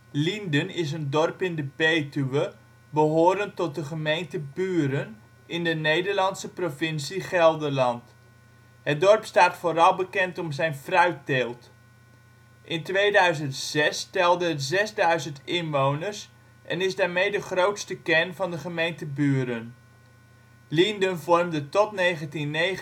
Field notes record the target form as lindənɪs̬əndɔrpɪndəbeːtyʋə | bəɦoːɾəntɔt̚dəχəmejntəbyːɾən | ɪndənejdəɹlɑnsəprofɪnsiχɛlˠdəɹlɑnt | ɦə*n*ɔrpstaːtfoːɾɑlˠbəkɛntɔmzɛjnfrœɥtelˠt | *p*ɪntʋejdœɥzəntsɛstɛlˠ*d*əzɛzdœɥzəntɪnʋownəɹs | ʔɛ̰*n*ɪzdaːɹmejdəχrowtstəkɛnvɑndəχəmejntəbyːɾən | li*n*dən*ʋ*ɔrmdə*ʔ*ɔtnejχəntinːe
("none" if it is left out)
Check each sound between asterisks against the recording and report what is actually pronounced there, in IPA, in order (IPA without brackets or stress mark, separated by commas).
d, ʔ, d, n, n, v, t